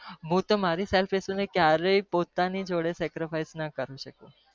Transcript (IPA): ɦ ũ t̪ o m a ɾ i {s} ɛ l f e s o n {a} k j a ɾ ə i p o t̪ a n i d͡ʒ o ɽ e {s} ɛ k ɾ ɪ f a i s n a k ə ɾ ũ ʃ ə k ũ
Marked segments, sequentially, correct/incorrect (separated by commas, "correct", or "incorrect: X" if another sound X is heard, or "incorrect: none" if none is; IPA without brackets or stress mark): correct, incorrect: e, correct